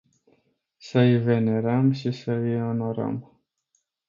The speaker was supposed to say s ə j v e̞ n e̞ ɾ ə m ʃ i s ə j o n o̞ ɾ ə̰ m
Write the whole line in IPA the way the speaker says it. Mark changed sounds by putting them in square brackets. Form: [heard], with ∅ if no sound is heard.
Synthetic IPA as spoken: s ə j v e̞ n e̞ ɾ ə m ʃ i s ə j o n o̞ ɾ ə̰ m

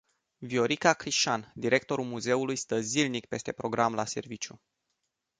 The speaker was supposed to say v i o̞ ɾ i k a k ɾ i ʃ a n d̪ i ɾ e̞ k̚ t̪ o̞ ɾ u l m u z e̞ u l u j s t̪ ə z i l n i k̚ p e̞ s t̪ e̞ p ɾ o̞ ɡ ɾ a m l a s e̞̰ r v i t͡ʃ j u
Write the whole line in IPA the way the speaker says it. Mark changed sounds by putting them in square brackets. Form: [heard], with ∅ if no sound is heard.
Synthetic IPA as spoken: v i o̞ ɾ i k a k ɾ i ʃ a n d̪ i ɾ e̞ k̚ t̪ o̞ ɾ u l m u z e̞ u l u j s t̪ ə z i l n i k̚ p e̞ s t̪ e̞ p ɾ o̞ ɡ ɾ a m l a s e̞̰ r v i t͡ʃ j u

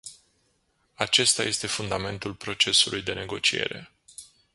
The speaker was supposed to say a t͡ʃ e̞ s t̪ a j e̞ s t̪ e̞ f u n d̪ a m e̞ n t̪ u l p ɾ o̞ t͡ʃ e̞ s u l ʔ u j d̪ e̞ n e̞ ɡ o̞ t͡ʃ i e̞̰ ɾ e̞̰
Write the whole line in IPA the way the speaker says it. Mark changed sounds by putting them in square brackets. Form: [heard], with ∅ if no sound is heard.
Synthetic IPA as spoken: a t͡ʃ e̞ s t̪ a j e̞ s t̪ e̞ f u n d̪ a m e̞ n t̪ u l p ɾ o̞ t͡ʃ e̞ s u l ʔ u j d̪ e̞ n e̞ ɡ o̞ t͡ʃ i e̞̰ ɾ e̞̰

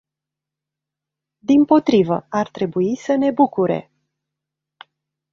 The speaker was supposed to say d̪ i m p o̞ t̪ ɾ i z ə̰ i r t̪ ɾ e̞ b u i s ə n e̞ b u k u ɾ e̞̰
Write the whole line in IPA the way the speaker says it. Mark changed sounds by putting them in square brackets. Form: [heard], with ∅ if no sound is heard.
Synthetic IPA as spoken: d̪ i m p o̞ t̪ ɾ i [v] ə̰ [a] r t̪ ɾ e̞ b u i s ə n e̞ b u k u ɾ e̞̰

